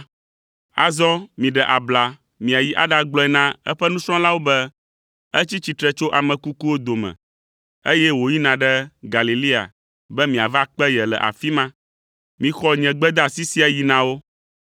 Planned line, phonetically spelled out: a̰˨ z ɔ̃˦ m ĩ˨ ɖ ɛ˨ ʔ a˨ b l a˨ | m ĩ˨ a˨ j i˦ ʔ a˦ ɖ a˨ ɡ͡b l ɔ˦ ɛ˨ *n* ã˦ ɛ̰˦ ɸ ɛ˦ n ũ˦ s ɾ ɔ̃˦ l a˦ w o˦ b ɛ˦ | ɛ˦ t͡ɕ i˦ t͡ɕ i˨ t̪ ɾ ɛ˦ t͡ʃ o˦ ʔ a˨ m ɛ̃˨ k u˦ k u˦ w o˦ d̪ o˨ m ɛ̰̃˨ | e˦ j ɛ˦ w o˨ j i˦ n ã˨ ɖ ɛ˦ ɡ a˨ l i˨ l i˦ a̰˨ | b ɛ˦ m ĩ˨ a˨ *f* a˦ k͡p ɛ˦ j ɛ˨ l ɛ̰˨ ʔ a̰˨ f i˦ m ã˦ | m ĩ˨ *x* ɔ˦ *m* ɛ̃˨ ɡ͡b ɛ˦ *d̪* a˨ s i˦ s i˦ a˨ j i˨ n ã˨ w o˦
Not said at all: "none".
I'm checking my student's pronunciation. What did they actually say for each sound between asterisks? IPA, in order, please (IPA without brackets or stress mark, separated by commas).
n, v, x, ɲ, d̪